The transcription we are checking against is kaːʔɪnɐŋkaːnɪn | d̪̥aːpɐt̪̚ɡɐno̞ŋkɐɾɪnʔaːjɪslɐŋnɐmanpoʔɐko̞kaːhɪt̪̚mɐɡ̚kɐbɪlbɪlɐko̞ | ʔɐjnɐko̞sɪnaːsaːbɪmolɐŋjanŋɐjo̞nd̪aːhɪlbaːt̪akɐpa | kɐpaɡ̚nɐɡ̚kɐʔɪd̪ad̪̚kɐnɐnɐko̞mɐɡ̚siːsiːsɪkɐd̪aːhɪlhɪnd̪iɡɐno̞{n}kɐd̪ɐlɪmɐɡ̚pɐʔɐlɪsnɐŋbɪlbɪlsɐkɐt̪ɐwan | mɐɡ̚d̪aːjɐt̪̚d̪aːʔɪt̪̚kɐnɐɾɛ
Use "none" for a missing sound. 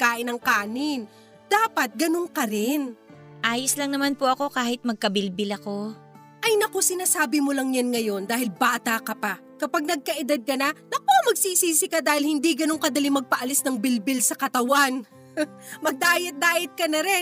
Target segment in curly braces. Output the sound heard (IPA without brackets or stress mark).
ŋ